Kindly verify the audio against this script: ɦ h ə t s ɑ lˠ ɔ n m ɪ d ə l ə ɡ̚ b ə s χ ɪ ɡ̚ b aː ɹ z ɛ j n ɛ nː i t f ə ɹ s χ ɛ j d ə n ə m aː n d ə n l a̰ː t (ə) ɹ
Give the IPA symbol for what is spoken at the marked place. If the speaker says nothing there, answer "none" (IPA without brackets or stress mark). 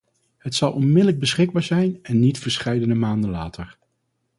ə